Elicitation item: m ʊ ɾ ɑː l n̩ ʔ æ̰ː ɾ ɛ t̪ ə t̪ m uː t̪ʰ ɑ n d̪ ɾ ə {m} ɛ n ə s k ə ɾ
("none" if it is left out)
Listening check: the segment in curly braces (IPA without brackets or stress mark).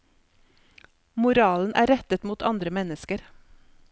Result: m